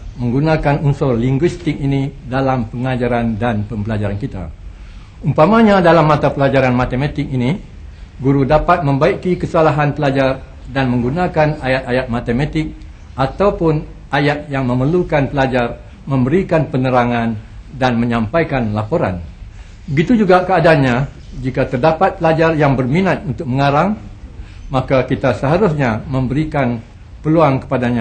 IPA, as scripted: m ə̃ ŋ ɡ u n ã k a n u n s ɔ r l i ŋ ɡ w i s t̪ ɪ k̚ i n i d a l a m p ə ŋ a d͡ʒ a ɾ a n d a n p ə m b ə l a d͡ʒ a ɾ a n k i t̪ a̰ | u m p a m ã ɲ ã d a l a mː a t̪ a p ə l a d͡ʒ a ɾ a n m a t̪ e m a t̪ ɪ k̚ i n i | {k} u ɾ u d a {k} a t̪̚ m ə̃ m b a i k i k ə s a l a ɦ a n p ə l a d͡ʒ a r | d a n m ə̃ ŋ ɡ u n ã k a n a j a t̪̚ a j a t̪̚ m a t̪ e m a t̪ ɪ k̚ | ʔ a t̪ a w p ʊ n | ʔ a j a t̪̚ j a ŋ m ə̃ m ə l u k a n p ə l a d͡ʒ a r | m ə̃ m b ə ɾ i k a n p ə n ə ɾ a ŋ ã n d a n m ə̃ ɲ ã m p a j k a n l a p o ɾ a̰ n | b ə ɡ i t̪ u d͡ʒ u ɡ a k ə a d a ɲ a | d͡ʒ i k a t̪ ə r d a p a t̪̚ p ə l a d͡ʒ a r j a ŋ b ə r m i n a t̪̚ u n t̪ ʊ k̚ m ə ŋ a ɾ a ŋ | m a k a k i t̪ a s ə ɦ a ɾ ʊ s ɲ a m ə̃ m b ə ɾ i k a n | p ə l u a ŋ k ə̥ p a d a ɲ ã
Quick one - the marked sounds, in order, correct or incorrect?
incorrect, incorrect

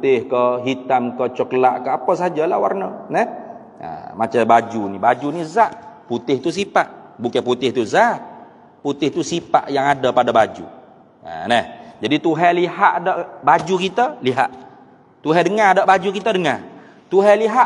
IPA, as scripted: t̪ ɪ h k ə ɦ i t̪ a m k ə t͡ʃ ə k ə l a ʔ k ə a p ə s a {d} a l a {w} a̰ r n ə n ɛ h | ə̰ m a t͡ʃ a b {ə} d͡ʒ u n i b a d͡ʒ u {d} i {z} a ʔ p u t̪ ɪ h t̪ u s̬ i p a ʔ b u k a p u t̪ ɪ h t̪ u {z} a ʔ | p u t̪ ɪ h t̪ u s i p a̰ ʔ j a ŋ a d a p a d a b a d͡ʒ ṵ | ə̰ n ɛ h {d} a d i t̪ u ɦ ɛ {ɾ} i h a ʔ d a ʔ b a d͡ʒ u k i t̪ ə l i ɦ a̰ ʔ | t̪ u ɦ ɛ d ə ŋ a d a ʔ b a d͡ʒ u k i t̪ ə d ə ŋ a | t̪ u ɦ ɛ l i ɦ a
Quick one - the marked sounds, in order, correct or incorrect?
incorrect, correct, incorrect, incorrect, correct, correct, incorrect, incorrect

